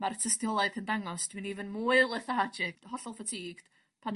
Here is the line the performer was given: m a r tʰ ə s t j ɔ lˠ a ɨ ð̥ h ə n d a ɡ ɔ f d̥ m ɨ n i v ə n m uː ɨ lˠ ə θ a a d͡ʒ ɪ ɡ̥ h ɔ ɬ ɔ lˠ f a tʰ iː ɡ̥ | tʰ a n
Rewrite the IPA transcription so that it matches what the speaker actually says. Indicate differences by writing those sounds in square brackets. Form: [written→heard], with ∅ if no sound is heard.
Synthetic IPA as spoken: m a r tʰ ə s t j ɔ lˠ a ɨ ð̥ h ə n d a [ɡ→ŋ] ɔ [f→s] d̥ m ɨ n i v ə n m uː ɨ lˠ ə θ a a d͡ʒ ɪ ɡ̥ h ɔ ɬ ɔ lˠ f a tʰ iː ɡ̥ | [tʰ→pʰ] a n